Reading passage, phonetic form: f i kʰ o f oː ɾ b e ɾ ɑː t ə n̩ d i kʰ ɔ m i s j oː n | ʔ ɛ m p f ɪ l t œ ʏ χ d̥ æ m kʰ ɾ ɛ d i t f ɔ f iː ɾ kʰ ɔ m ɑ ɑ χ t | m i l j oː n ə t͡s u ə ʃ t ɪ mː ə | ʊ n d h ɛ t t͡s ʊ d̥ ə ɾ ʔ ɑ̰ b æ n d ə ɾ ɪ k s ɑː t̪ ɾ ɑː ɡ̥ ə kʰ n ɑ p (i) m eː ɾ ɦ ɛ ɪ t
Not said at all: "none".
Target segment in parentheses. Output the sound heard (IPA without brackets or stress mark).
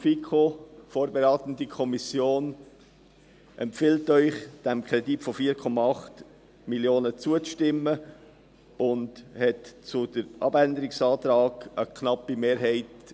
i